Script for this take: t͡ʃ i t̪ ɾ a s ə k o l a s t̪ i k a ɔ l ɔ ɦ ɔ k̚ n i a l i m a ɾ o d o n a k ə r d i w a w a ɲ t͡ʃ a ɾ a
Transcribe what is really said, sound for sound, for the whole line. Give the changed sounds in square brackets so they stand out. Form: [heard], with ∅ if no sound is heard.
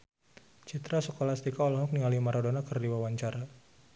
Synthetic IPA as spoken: t͡ʃ i t̪ ɾ a s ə k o l a s t̪ i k a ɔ l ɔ ɦ ɔ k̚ n i a l i m a ɾ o d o n a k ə r d i w a w a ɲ t͡ʃ a ɾ a